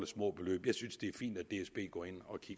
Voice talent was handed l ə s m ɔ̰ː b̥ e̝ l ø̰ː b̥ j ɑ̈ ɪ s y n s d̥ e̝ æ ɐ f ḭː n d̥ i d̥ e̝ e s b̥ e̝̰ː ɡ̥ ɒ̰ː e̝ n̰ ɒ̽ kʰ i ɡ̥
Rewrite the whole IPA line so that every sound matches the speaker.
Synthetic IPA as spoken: l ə s m ɔ̰ː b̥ e̝ l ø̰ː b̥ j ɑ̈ ɪ s y n s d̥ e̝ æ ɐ f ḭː n d̥ æ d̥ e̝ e s b̥ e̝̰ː ɡ̥ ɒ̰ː e̝ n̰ ɒ̽ kʰ i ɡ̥